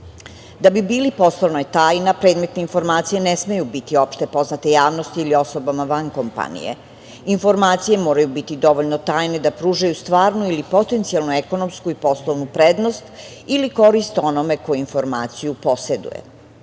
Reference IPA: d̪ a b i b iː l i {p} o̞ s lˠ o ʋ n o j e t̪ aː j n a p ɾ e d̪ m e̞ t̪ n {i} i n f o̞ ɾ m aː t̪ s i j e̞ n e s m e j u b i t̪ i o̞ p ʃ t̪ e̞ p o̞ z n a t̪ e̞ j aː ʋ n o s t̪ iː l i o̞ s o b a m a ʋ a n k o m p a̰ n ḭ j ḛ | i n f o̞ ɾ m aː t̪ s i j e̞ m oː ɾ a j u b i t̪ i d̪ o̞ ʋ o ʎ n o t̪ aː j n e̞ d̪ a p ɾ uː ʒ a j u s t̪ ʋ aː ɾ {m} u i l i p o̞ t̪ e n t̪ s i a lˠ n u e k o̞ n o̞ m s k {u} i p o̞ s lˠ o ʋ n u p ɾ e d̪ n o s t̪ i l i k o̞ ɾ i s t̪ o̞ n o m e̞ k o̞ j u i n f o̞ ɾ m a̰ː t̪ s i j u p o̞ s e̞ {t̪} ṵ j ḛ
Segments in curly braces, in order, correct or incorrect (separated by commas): correct, incorrect, incorrect, correct, incorrect